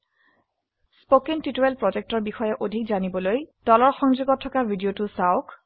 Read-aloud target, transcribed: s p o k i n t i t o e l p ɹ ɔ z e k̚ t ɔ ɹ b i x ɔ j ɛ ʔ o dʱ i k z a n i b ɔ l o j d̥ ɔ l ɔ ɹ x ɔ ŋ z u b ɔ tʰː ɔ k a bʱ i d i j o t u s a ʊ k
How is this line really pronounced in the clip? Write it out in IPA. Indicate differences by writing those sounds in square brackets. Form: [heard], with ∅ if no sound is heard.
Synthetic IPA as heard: s p o k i n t i t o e l p ɹ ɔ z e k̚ t ɔ ɹ b i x ɔ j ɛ ʔ o dʱ i k z a n i b ɔ l o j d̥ ɔ l ɔ ɹ x ɔ ŋ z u [ɡ] ɔ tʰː ɔ k a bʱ i d i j o t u s a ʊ k